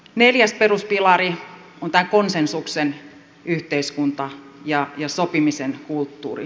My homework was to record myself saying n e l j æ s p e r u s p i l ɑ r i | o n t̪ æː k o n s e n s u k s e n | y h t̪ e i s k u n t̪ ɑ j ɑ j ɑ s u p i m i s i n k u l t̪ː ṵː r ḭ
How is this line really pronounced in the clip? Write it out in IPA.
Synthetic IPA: n e l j æ s p e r u s p i l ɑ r i | o n t̪ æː k o n s e n s u k s e n | y h t̪ e i s k u n t̪ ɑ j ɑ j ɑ s o p i m i s e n k u l t̪ː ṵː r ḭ